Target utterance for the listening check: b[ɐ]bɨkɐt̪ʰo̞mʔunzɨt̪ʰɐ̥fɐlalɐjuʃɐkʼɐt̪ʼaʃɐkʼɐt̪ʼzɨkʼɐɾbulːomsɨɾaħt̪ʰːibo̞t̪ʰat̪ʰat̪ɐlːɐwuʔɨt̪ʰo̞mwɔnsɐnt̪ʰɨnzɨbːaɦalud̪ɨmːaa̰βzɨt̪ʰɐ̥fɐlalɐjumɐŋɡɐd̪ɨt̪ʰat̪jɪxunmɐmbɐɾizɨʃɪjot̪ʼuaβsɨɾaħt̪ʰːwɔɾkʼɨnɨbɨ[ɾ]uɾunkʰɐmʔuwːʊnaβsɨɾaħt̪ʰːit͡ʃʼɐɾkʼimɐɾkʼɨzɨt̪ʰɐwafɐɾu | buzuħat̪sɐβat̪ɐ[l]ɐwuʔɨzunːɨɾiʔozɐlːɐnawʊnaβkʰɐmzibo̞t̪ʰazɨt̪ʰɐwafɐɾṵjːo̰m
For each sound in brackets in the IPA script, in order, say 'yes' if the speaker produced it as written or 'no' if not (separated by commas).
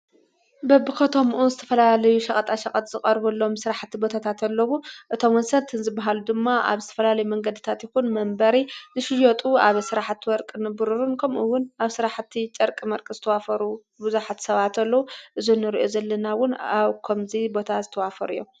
yes, yes, no